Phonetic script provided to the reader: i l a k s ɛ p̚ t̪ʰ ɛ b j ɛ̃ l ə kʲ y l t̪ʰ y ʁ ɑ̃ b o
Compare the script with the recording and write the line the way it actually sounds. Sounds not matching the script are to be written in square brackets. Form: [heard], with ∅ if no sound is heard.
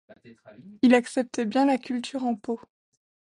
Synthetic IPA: i l a k s ɛ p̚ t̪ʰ ɛ b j ɛ̃ l [a] kʲ y l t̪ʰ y ʁ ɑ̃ [p] o

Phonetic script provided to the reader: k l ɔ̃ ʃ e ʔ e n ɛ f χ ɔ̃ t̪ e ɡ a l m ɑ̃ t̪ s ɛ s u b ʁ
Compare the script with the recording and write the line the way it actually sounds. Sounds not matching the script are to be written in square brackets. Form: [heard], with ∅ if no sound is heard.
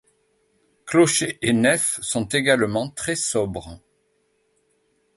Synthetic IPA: k l [ɔ] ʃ e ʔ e n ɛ f [s] ɔ̃ t̪ e ɡ a l m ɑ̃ t̪ [χ] ɛ s [ɔ] b ʁ

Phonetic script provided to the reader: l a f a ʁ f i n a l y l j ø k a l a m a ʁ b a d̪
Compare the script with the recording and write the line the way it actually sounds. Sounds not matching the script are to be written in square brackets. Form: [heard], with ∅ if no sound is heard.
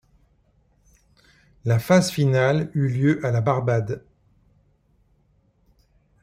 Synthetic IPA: l a f a [z] f i n a l y l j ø [ʔ] a l a [b] a ʁ b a d̪

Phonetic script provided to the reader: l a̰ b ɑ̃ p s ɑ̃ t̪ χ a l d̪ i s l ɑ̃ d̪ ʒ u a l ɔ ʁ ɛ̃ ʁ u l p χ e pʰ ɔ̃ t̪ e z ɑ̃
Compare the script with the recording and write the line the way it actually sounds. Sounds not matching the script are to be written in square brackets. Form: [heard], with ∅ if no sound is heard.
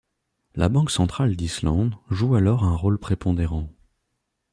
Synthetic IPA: l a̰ b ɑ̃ [k] s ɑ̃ t̪ χ a l d̪ i s l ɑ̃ d̪ ʒ u a l ɔ ʁ ɛ̃ ʁ [o] l p χ e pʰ ɔ̃ [d̪] e [ʁ] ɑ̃

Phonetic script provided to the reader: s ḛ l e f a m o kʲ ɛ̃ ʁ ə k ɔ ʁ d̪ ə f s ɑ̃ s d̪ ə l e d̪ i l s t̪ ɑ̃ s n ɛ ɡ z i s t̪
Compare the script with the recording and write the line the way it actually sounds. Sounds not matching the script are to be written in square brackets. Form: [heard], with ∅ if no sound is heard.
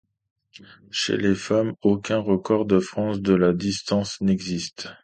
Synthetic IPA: [ʃ] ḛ l e f a m o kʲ ɛ̃ ʁ ə k ɔ ʁ d̪ ə f [χ] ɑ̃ s d̪ ə l [a] d̪ i [∅] s t̪ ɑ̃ s n ɛ ɡ z i s t̪

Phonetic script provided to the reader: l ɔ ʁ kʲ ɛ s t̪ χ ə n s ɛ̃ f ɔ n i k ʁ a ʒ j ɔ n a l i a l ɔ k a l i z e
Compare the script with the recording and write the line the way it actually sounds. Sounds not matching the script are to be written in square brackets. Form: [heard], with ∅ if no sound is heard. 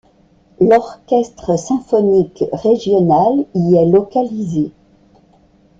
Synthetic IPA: l ɔ ʁ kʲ ɛ s t̪ χ ə [∅] s ɛ̃ f ɔ n i k ʁ [e] ʒ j ɔ n a l i [ɛ] l ɔ k a l i z e

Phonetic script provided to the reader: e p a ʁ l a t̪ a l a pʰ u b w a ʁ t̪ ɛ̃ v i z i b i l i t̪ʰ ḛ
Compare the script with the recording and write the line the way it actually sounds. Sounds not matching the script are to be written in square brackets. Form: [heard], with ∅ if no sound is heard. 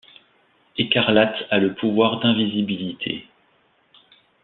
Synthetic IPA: e [k] a ʁ l a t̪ a l [ə] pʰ u [v] w a ʁ [d̪] ɛ̃ v i z i b i l i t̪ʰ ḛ

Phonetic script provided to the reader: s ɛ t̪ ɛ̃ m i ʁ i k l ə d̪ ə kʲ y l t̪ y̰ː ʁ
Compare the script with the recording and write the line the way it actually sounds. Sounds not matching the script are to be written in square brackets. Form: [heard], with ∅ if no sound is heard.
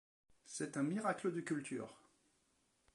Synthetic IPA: s ɛ t̪ ɛ̃ m i ʁ [a] k l ə d̪ ə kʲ y l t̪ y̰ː ʁ

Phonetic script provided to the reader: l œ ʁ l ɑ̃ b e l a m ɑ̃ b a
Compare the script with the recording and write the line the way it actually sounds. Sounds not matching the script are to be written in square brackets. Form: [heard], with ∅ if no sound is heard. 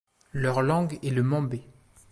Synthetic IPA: l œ ʁ l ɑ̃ [ɡ] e l [ə] m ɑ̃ b [e]

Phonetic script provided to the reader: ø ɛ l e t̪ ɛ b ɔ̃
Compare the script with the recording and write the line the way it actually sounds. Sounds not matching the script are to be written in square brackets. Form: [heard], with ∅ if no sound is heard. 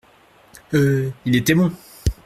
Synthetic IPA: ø [i] l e t̪ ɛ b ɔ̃

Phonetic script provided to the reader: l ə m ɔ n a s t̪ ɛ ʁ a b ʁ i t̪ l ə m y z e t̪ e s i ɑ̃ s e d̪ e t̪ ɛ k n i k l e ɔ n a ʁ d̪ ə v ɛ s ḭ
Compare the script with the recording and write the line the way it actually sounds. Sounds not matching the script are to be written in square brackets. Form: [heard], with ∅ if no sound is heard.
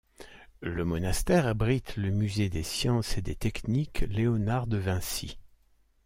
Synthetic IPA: l ə m ɔ n a s t̪ ɛ ʁ a b ʁ i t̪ l ə m y z e [d̪] e s [j] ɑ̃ s e d̪ e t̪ ɛ k n i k l e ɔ n a ʁ d̪ ə v [ɛ̃] s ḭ

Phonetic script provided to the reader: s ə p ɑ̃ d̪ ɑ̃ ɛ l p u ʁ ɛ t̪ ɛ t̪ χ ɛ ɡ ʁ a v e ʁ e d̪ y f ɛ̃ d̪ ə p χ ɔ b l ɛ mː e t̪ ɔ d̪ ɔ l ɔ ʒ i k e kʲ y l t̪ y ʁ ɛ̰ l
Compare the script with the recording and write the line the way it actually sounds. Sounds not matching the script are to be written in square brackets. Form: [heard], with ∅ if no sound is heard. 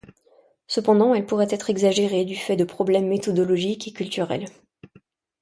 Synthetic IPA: s ə p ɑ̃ d̪ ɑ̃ ɛ l p u ʁ ɛ t̪ ɛ t̪ χ ɛ ɡ [z] a [ʒ] e ʁ e d̪ y f [ɛ] d̪ ə p χ ɔ b l ɛ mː e t̪ ɔ d̪ ɔ l ɔ ʒ i k e kʲ y l t̪ y ʁ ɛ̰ l

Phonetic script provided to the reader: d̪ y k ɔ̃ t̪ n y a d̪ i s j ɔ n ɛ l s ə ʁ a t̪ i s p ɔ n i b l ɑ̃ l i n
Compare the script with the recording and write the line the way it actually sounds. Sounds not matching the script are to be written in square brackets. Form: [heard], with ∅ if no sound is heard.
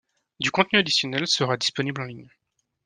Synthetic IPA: d̪ y k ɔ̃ t̪ n y a d̪ i s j ɔ n ɛ l s ə ʁ a [d̪] i s p ɔ n i b l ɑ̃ l i [ɲ]

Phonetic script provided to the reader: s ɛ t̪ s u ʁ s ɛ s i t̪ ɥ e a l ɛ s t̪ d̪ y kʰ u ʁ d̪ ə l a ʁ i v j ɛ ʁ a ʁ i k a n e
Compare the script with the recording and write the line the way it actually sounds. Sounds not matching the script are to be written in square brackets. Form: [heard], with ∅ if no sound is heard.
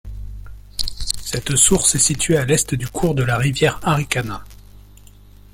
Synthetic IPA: s ɛ t̪ s u ʁ s ɛ s i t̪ ɥ e a l ɛ s t̪ d̪ y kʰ u ʁ d̪ ə l a ʁ i v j ɛ ʁ a ʁ i k a n [a]

